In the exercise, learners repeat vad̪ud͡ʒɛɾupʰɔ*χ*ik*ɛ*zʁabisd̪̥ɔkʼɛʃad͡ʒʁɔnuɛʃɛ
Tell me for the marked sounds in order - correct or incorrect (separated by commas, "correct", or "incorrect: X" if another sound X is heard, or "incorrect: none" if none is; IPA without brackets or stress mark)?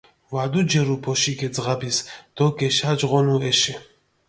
incorrect: ʃ, correct